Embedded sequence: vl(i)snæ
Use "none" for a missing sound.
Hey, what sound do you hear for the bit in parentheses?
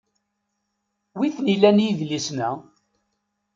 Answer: i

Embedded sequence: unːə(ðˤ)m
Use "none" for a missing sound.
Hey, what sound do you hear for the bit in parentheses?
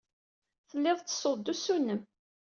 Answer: none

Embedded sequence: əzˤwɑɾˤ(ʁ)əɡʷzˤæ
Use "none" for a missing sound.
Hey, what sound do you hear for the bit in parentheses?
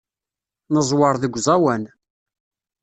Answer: ð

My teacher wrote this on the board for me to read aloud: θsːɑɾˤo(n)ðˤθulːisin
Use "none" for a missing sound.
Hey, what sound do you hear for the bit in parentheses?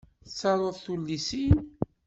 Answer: none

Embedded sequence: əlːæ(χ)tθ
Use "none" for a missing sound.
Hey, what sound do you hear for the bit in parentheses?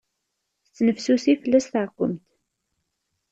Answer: s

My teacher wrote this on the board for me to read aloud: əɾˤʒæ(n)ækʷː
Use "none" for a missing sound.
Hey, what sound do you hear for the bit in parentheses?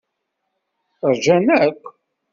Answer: n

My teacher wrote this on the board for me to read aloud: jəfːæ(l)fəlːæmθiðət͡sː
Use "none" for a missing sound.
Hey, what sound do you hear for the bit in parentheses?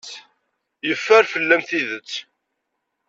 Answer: ɾ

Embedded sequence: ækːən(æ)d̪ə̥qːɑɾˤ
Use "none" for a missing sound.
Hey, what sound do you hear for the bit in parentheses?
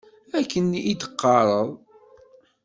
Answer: i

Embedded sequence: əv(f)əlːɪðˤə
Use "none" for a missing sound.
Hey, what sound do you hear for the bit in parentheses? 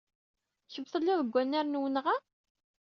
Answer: θ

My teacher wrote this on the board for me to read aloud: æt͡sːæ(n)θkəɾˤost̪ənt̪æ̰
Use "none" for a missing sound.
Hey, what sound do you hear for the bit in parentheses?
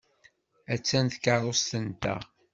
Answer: n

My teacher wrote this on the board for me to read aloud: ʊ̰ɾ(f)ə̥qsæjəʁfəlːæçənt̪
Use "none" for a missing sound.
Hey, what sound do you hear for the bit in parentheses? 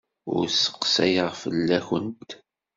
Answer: s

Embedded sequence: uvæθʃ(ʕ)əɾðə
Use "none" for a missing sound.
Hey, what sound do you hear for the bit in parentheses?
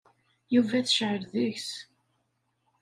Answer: ʕ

